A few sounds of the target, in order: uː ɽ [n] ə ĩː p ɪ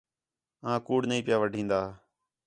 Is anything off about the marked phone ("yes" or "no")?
no